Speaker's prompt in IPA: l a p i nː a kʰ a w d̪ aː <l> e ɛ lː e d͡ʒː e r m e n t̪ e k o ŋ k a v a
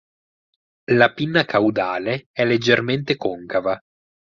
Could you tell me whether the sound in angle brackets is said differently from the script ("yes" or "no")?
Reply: no